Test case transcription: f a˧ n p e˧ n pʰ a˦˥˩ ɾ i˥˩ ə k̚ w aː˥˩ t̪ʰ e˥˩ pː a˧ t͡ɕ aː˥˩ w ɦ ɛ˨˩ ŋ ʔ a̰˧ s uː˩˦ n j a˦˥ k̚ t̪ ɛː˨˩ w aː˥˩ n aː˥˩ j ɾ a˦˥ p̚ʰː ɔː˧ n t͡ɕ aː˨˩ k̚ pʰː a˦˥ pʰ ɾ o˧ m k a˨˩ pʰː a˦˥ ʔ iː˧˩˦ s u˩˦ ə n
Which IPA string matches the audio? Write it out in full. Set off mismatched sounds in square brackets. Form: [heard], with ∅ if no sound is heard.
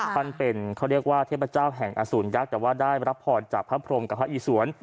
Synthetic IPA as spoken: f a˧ n p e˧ n [kʰ] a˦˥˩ ɾ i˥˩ ə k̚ w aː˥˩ t̪ʰ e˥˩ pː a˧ t͡ɕ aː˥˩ w ɦ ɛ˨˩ ŋ ʔ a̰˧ s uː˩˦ n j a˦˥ k̚ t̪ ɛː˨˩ w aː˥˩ [d] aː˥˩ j ɾ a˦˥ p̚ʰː ɔː˧ n t͡ɕ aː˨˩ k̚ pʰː a˦˥ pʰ ɾ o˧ m k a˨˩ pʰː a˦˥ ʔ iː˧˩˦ s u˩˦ ə n